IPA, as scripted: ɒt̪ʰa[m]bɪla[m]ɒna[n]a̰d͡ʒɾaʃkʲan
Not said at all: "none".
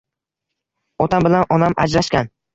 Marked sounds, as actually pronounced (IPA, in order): m, n, m

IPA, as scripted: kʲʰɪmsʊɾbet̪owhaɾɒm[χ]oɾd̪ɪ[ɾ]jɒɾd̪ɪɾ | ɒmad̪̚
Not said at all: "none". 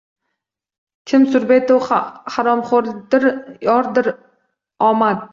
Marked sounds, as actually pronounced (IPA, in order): χ, ɾ

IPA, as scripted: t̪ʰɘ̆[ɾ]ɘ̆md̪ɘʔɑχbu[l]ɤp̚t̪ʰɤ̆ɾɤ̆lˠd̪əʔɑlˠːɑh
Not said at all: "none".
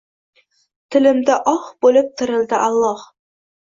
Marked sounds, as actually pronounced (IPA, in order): l, l

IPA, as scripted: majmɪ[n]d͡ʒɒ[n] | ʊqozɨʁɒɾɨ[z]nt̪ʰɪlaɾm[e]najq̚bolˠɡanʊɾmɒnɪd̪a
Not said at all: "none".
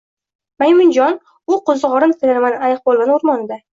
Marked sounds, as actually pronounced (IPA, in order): n, n, none, a

